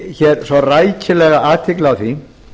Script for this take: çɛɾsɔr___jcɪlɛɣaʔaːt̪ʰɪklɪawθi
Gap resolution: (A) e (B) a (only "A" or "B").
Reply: B